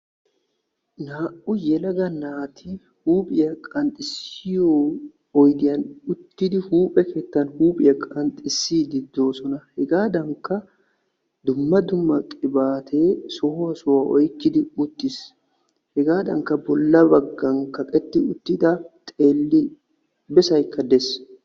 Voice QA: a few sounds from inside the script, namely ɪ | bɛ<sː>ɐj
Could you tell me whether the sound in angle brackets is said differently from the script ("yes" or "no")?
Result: yes